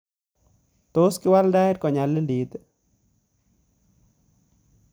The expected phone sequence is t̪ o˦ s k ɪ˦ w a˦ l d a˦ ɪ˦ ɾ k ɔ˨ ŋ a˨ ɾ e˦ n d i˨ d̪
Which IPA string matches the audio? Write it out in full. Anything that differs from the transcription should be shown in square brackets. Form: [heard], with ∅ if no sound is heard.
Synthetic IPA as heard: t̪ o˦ s k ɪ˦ w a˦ l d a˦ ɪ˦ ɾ k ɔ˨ [ɲ] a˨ [l] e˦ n d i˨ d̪